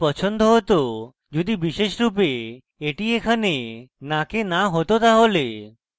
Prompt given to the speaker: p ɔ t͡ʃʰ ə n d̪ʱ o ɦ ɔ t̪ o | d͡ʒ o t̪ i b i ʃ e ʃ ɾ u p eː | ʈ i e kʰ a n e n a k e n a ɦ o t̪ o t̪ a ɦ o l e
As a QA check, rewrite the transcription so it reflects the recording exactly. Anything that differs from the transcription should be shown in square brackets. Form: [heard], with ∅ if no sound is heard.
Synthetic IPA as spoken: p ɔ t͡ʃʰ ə n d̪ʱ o ɦ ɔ t̪ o | d͡ʒ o [d̪] i b i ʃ e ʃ ɾ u p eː | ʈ i e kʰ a n e n a k e n a ɦ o t̪ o t̪ a ɦ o l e